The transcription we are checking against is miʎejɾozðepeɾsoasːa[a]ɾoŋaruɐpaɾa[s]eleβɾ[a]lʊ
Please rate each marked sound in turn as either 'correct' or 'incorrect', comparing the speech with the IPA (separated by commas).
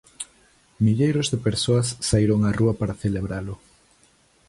incorrect, incorrect, correct